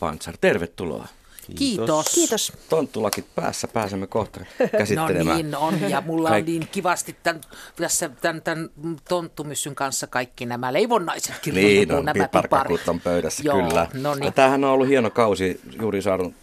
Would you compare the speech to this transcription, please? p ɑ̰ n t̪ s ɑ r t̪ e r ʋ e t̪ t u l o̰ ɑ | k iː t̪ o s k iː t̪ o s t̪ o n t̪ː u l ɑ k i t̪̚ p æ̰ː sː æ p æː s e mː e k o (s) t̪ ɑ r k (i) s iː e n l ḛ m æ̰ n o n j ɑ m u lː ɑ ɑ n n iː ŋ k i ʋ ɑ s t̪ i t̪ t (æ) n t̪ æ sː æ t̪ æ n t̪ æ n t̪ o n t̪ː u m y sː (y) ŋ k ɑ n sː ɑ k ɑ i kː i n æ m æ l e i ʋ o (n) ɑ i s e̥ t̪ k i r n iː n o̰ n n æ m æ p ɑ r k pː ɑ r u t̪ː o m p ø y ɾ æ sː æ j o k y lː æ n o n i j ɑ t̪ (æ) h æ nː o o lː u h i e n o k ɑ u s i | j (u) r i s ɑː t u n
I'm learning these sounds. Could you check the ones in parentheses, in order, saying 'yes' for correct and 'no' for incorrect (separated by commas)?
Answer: no, no, yes, yes, no, no, no